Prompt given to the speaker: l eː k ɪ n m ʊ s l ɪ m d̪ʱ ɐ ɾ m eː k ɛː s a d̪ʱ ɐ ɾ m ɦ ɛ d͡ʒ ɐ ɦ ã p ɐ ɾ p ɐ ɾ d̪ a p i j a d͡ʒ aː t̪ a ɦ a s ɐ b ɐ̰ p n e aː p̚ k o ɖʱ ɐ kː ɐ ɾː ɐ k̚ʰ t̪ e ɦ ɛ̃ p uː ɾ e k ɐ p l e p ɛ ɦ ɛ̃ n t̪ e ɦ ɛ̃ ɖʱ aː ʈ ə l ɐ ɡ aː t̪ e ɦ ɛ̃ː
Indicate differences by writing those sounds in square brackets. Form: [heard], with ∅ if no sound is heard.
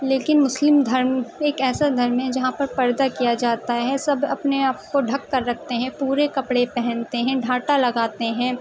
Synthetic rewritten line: l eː k ɪ n m ʊ s l ɪ m d̪ʱ ɐ ɾ m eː k ɛː s a d̪ʱ ɐ ɾ m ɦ ɛ d͡ʒ ɐ ɦ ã p ɐ ɾ p ɐ ɾ d̪ a [k] i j a d͡ʒ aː t̪ a ɦ [ɛ] s ɐ b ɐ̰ p n e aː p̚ k o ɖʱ ɐ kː ɐ ɾː ɐ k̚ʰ t̪ e ɦ ɛ̃ p uː ɾ e k ɐ p [ɽ] e p ɛ ɦ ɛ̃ n t̪ e ɦ ɛ̃ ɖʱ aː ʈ [a] l ɐ ɡ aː t̪ e ɦ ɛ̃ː